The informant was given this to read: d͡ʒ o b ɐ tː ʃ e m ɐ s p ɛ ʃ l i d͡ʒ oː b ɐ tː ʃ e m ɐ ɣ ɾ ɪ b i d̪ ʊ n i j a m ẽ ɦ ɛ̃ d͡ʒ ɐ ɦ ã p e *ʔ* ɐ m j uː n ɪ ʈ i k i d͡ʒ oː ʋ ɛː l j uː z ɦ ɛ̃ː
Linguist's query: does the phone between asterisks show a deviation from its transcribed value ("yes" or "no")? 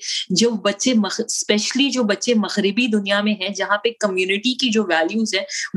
yes